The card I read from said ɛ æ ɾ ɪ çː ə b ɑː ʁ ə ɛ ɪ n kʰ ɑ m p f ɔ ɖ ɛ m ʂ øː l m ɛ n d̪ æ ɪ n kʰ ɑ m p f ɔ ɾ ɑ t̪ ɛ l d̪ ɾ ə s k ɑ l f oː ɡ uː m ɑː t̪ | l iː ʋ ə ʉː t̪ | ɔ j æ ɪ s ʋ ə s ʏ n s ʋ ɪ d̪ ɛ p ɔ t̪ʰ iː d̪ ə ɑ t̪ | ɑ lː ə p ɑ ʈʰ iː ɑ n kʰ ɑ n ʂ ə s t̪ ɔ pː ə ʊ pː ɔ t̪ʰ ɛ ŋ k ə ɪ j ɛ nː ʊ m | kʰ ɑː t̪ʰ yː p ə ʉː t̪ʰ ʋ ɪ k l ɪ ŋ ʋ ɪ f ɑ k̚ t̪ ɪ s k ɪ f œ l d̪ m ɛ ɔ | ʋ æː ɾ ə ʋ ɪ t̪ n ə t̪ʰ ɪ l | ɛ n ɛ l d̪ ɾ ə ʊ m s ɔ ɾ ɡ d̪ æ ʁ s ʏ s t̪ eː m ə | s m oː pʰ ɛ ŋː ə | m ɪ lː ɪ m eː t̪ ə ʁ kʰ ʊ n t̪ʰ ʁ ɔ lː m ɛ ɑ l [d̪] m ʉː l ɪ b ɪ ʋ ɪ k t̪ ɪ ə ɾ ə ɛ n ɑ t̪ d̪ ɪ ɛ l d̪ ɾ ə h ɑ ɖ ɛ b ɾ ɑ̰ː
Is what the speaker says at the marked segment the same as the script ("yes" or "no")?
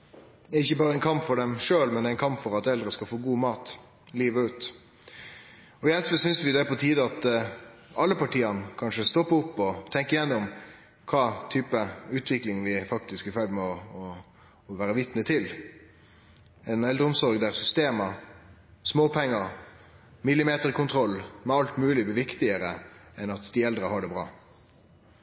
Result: no